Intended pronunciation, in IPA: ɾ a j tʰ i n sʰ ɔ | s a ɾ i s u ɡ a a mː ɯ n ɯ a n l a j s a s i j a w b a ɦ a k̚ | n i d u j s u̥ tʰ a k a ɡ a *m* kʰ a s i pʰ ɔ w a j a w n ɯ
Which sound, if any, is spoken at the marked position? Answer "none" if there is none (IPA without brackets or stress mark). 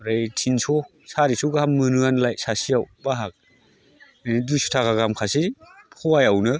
m